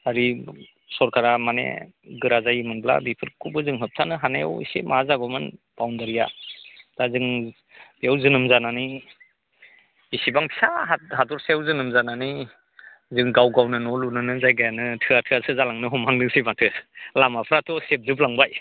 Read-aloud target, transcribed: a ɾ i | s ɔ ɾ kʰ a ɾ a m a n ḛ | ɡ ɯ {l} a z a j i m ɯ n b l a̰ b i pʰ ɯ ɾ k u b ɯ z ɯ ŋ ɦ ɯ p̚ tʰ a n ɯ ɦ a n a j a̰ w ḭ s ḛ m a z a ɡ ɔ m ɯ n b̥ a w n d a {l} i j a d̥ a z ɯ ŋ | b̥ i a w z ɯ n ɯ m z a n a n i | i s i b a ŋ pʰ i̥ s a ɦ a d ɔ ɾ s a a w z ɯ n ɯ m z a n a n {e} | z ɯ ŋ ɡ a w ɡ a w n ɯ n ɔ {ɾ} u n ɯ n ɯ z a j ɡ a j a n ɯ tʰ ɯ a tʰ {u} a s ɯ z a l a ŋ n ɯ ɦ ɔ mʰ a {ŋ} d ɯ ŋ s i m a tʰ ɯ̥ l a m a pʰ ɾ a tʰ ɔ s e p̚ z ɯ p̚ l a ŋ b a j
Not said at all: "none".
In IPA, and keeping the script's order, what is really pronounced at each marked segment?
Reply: ɾ, ɾ, i, l, ɯ, ŋ

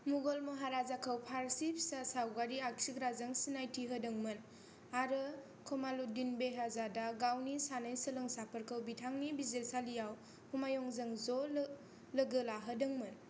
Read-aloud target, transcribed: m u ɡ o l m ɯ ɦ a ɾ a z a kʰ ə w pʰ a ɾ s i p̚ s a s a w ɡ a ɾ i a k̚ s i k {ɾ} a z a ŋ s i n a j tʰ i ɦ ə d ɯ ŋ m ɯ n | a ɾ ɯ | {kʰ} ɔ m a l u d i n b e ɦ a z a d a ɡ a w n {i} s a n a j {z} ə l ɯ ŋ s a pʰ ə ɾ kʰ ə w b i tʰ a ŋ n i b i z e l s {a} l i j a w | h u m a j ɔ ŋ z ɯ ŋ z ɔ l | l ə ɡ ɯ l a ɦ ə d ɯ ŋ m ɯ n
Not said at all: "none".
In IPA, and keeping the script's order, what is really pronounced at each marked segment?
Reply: ɾ, kʰ, i, s, a

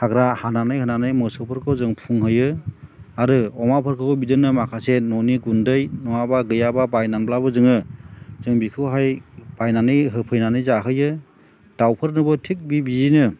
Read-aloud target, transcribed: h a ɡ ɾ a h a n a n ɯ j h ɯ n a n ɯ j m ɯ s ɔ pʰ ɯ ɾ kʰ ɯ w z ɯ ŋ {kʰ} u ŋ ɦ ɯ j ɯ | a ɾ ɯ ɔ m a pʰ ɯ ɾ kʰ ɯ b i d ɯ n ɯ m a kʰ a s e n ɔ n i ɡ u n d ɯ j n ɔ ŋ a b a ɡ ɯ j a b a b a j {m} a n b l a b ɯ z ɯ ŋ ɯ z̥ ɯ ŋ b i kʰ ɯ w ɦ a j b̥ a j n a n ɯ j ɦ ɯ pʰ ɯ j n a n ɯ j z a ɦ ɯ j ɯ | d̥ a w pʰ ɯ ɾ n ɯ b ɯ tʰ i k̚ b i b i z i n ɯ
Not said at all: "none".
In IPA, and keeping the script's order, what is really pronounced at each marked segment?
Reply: pʰ, n

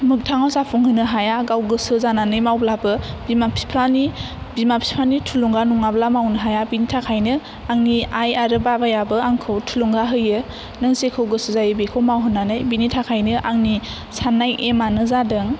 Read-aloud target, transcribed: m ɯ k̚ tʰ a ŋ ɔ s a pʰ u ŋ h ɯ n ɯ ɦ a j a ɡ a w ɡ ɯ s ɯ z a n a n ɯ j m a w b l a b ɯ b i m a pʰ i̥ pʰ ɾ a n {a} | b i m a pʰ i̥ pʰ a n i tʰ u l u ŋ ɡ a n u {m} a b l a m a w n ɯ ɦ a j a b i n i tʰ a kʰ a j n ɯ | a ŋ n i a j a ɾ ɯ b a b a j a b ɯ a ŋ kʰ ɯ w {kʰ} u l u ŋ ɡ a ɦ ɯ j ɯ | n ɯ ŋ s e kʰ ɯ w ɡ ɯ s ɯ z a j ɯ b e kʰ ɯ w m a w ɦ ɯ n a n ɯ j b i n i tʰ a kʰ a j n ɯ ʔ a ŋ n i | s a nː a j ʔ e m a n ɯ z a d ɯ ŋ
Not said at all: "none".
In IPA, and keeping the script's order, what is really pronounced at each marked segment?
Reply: i, ŋ, tʰ

